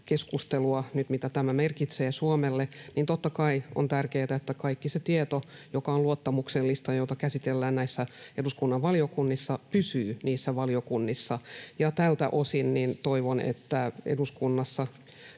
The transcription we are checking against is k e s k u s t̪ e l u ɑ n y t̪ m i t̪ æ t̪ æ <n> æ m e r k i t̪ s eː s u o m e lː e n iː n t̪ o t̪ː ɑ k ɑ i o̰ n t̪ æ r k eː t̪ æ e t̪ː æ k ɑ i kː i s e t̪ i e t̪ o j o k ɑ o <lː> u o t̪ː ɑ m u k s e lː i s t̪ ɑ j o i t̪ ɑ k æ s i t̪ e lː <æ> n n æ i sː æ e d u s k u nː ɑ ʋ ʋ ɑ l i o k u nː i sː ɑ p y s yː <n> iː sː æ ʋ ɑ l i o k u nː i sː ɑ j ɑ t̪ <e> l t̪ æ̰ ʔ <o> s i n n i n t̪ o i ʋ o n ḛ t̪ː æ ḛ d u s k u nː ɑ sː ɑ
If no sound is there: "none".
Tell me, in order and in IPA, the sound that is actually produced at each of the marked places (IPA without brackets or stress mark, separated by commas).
m, l, æː, n, æ, o